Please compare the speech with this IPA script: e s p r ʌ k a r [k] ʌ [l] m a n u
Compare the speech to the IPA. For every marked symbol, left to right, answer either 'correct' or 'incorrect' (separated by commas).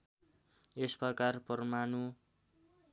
incorrect, incorrect